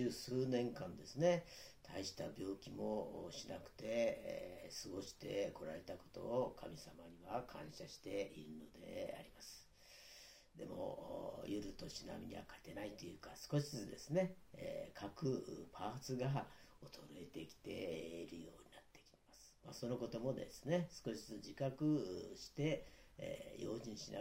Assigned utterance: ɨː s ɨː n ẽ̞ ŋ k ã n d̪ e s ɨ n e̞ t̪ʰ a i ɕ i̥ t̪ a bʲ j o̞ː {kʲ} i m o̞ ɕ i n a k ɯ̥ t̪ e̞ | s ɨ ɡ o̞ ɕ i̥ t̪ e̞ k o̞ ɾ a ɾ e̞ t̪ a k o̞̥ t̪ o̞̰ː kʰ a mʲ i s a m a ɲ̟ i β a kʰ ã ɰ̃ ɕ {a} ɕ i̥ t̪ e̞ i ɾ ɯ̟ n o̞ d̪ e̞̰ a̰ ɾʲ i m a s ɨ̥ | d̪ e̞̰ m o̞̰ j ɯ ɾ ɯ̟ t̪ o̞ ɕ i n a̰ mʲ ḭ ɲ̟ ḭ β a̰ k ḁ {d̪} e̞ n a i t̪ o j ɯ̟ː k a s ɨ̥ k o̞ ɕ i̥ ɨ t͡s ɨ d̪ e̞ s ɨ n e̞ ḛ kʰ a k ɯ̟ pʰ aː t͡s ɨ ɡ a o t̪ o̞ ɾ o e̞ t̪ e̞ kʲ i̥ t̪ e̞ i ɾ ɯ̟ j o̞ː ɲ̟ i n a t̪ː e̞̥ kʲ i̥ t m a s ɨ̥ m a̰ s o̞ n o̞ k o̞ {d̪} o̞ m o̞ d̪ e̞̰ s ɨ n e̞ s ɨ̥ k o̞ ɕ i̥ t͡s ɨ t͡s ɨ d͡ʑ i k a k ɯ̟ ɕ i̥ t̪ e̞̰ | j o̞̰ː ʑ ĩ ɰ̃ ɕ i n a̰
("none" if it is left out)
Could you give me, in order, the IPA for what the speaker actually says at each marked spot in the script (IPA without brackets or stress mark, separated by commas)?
kʲ, a, t̪, t̪